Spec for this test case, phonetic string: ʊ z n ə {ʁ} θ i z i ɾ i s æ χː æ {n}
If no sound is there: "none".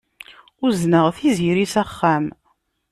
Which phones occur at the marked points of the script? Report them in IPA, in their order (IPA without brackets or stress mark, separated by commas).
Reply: ʁ, m